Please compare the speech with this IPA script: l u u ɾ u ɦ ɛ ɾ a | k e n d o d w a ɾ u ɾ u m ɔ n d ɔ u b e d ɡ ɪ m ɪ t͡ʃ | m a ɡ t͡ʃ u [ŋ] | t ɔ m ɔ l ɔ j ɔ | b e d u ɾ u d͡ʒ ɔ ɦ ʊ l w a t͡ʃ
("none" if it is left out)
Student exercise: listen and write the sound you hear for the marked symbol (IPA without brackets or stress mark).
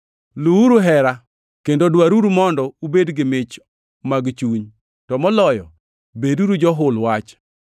ɲ